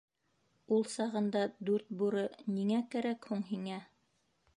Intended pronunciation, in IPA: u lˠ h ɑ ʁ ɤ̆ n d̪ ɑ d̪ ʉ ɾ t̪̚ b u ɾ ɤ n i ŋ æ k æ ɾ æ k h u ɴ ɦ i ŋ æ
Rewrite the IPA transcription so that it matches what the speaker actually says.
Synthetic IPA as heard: u lˠ s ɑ ʁ ɤ̆ n d̪ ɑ d̪ ʉ ɾ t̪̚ b u ɾ ɤ n i ŋ æ k æ ɾ æ k h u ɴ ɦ i ŋ æ

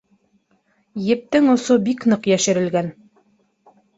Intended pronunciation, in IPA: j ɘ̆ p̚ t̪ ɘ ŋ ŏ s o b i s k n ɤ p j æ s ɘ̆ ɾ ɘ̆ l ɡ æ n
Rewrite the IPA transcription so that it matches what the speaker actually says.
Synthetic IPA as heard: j ɘ̆ p̚ t̪ ɘ ŋ ŏ s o b i k n ɤ q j æ ʃ ɘ̆ ɾ ɘ̆ l ɡ æ n

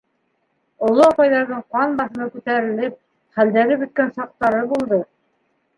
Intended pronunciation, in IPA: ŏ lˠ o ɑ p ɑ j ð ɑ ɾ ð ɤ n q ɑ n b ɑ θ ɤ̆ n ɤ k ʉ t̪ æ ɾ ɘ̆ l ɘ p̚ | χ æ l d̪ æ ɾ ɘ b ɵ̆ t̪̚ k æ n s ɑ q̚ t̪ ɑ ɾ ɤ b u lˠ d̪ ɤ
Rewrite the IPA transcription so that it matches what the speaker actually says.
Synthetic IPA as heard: ŏ lˠ o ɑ p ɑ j ð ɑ ɾ ð ɤ ɴ q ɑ n b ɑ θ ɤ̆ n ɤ k ʉ t̪ æ ɾ ɘ̆ l ɘ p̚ | χ æ l d̪ æ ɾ ɘ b ɵ̆ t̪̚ k æ n s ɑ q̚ t̪ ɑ ɾ ɤ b u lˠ d̪ ɤ

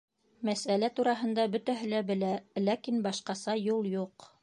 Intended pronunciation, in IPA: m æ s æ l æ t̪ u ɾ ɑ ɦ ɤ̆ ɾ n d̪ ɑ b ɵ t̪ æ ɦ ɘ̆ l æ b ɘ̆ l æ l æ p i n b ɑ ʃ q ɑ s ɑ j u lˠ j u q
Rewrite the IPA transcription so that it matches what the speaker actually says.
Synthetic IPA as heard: m æ s æ l æ t̪ u ɾ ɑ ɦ ɤ̆ n d̪ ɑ b ɵ t̪ æ ɦ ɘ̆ l æ b ɘ̆ l æ l æ k i n b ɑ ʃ q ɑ s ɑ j u lˠ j u q

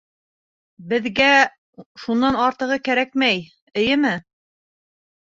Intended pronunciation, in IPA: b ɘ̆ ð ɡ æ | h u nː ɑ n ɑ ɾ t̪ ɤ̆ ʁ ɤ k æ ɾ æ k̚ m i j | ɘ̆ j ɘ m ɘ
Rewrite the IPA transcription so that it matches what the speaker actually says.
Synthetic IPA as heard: b ɘ̆ ð ɡ æ | ʃ u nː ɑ n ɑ ɾ t̪ ɤ̆ ʁ ɤ k æ ɾ æ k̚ m æ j | ɘ̆ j ɘ m ɘ

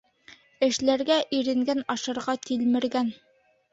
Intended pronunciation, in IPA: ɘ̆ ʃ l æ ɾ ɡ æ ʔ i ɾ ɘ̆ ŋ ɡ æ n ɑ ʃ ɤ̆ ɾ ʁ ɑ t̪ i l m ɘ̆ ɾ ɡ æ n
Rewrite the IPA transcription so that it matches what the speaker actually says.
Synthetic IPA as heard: ɘ̆ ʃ l æ ɾ ɡ æ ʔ i ɾ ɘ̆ ŋ ɡ æ n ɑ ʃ ɤ̆ ɾ ʁ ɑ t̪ i l m ɘ̆ ɾ ɡ æ n

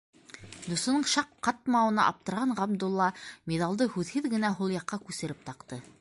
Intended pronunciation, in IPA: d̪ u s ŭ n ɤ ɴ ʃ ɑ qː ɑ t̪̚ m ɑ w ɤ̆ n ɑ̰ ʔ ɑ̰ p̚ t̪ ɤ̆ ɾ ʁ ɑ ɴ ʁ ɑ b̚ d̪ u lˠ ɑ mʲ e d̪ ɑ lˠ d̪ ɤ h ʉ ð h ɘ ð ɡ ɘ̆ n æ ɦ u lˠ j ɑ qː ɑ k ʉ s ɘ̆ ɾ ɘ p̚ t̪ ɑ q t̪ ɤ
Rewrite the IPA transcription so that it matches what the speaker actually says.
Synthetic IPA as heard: d̪ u s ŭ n ɤ ɴ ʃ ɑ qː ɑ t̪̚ m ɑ w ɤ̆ n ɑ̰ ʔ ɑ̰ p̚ t̪ ɤ̆ ɾ ʁ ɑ ɴ ʁ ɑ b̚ d̪ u lˠː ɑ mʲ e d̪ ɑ lˠ d̪ ɤ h ʉ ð h ɘ ð ɡ ɘ̆ n æ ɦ u lˠ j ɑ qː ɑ k ʉ s ɘ̆ ɾ ɘ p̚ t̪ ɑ q t̪ ɤ

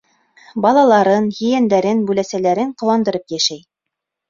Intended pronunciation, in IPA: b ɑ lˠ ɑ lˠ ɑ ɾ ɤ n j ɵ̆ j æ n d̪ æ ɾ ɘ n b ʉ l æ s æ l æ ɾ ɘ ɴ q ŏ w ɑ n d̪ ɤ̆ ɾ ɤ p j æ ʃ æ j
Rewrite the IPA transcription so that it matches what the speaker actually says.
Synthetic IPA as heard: b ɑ lˠ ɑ lˠ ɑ ɾ ɤ n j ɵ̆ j æ n d̪ æ ɾ ɘ n b ʉ l æ s æ l æ ɾ ɘ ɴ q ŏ w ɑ n d̪ ɤ̆ ɾ ɤ p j æ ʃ æ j

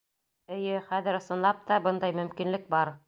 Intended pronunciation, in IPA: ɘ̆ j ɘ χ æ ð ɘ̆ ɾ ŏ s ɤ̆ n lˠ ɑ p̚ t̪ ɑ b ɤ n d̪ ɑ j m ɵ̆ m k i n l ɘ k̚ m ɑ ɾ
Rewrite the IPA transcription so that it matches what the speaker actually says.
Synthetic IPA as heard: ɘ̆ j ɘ χ æ ð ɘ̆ ɾ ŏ s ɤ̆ n lˠ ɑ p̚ t̪ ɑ b ɤ n d̪ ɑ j m ɵ̆ m k i n l ɘ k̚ b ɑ ɾ

